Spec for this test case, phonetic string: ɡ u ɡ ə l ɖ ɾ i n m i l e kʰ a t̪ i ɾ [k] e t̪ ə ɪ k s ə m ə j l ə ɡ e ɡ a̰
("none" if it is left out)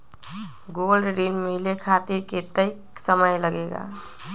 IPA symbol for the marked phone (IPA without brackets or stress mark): k